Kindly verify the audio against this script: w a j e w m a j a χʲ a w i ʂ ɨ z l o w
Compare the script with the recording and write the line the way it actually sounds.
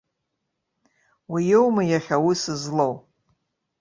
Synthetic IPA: w i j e w m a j a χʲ a w i s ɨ z l o w